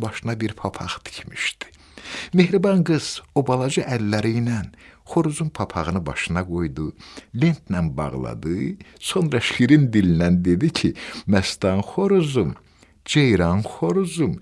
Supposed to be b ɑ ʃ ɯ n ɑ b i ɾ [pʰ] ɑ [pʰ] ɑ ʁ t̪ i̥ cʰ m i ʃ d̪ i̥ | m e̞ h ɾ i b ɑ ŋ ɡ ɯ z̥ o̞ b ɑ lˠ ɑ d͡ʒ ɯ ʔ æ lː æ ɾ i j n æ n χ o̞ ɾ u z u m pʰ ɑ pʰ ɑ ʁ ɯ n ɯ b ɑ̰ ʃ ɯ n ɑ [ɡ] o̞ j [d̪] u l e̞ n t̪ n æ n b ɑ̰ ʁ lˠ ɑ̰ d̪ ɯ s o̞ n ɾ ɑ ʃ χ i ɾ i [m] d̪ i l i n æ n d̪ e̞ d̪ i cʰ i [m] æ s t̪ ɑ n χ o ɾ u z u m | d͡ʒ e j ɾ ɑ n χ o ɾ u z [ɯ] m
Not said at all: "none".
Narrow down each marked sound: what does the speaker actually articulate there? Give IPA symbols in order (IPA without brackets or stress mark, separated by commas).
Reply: pʰ, pʰ, ɡ, d̪, n, m, u